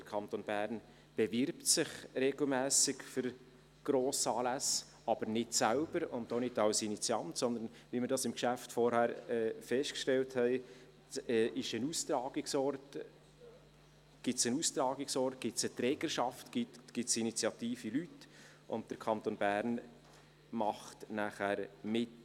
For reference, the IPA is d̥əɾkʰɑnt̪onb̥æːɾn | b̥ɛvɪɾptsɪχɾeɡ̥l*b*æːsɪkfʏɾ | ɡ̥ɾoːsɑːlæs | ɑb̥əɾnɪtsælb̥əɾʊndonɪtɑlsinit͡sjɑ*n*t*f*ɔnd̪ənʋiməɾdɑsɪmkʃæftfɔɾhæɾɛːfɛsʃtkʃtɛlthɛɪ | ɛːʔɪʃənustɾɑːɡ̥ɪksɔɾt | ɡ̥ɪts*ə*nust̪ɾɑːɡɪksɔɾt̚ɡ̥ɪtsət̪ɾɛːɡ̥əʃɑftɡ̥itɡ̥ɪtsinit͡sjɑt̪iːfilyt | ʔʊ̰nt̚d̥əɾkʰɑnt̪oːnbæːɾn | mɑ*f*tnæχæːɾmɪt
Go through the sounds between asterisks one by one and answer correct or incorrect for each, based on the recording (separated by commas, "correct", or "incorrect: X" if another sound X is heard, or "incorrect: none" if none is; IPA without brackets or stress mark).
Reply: incorrect: m, correct, incorrect: s, correct, incorrect: χ